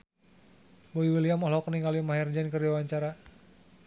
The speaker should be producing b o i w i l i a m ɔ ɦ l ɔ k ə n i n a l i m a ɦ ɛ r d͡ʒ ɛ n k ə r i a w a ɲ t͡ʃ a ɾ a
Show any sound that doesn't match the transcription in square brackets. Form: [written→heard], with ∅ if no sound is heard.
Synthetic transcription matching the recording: b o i w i l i a m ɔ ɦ l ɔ k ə n i [n→ŋ] a l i m a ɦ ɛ r d͡ʒ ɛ n k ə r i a w a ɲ t͡ʃ a ɾ a